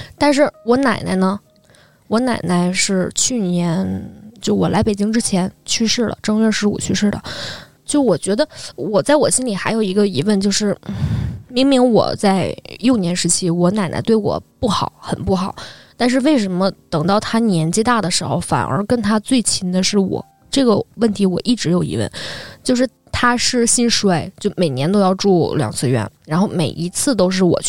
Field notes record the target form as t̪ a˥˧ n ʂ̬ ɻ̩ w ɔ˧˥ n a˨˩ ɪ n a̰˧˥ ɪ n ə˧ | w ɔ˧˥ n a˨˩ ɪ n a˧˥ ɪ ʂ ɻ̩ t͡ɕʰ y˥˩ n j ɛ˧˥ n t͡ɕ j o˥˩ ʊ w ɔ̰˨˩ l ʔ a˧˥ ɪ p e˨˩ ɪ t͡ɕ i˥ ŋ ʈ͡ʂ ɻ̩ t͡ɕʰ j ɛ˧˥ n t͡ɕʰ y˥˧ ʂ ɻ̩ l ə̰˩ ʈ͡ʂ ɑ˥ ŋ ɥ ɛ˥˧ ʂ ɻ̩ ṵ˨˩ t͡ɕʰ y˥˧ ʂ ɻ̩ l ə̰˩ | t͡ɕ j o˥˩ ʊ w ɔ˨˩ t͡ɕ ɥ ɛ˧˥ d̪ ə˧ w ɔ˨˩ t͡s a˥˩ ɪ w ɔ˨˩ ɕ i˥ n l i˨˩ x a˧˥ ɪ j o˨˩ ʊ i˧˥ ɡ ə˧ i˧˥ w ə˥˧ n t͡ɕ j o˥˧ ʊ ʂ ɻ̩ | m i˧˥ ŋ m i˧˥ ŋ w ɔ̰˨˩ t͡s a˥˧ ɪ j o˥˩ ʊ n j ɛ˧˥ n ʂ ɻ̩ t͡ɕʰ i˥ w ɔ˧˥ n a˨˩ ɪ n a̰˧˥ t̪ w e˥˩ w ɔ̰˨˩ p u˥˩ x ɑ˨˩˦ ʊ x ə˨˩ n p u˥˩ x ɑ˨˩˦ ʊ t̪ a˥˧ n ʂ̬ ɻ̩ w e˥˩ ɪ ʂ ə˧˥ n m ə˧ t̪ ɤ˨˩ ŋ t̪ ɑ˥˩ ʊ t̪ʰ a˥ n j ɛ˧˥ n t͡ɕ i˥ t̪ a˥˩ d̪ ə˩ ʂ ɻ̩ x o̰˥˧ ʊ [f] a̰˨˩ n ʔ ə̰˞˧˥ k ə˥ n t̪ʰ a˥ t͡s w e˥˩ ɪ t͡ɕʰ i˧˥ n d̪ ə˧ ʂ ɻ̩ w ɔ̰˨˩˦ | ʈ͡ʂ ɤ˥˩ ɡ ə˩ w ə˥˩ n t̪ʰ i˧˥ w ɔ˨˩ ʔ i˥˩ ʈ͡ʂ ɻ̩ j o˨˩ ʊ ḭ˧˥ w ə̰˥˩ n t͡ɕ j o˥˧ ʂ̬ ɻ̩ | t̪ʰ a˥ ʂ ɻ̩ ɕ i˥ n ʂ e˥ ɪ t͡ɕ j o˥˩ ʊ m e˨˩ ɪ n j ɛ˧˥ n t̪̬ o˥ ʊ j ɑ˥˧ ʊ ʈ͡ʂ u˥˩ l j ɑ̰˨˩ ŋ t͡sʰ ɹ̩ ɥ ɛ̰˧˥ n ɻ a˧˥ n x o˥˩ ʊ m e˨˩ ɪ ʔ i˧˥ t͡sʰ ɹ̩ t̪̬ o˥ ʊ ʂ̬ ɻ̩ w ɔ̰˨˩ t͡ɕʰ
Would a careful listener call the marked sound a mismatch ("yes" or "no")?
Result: no